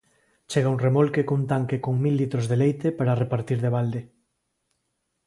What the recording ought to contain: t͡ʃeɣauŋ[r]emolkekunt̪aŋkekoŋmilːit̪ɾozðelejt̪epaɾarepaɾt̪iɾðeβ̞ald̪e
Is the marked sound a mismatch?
no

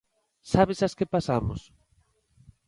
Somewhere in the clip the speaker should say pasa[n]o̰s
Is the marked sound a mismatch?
yes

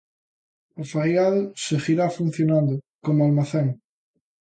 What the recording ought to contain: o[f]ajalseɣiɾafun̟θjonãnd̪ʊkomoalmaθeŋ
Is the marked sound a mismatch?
no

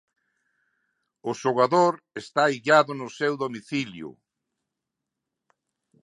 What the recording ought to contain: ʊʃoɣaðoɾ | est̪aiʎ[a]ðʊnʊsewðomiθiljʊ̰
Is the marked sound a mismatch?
no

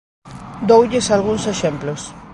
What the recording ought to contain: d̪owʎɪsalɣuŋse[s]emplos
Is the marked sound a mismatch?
yes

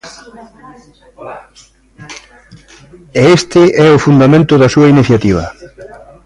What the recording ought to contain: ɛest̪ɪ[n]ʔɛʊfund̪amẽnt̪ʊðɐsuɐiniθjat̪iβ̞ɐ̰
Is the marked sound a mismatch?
yes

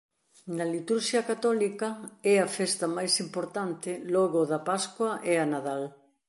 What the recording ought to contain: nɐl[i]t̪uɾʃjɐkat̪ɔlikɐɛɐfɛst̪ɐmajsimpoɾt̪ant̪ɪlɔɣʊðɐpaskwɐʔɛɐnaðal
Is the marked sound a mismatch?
no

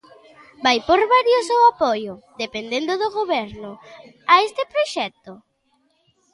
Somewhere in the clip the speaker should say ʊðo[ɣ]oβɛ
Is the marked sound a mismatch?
no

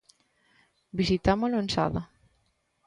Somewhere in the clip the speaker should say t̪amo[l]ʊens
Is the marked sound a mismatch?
no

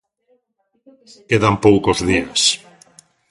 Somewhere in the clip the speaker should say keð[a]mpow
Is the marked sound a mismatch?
no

